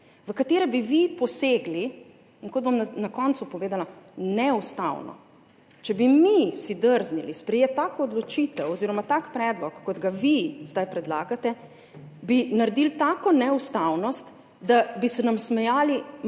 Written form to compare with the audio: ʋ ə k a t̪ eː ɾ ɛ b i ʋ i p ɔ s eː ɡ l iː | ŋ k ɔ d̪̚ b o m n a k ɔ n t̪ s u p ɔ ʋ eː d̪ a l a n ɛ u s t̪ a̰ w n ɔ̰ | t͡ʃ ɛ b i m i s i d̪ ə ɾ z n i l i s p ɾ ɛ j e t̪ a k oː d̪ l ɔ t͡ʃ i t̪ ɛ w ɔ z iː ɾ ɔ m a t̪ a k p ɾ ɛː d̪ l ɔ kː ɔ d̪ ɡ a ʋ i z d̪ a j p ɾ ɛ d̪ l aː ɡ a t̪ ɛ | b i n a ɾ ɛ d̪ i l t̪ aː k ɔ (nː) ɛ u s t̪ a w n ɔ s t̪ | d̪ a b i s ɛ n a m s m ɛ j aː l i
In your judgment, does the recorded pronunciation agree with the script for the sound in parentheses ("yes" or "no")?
no